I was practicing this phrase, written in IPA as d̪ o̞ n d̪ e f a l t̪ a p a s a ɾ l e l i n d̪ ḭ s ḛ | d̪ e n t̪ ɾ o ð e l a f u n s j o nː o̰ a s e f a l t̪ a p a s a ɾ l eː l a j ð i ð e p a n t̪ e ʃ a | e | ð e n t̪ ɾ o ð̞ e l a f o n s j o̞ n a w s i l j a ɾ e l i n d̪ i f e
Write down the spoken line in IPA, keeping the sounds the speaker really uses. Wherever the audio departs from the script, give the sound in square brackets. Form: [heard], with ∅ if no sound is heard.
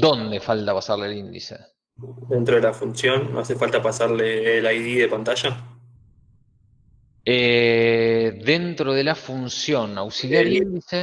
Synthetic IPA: d̪ o̞ n d̪ e f a l t̪ a p a s a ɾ l e l i n d̪ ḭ s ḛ | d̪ e n t̪ ɾ o ð e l a f u n s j o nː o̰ a s e f a l t̪ a p a s a ɾ l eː l a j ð i ð e p a n t̪ [a] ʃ a | e | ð e n t̪ ɾ o ð̞ e l a f [u] n s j o̞ n a w s i l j a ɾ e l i n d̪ i [s] e